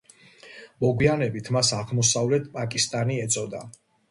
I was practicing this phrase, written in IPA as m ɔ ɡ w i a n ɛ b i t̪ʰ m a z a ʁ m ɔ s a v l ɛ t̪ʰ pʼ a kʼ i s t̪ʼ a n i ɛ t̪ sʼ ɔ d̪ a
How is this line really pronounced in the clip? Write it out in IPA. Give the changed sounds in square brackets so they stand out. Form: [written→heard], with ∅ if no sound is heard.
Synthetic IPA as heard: m ɔ ɡ w i a n ɛ b i t̪ʰ m a [z→s] a ʁ m ɔ s a v l ɛ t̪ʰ pʼ a kʼ i s t̪ʼ a n i ɛ t̪ sʼ ɔ d̪ a